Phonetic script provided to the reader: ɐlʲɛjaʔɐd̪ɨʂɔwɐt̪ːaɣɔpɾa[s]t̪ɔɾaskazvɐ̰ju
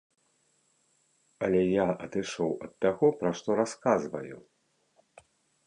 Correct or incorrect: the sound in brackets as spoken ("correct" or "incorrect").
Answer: incorrect